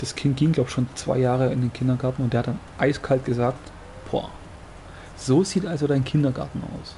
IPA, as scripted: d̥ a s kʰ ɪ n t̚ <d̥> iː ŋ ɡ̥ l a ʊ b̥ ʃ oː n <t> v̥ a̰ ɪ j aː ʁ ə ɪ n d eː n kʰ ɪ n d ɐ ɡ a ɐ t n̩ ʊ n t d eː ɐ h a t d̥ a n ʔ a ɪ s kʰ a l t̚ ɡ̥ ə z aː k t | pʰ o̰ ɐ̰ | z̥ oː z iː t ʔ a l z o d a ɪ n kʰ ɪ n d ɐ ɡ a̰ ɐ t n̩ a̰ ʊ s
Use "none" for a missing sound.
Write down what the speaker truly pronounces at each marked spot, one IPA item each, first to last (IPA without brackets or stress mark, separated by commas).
ɡ̥, t͡s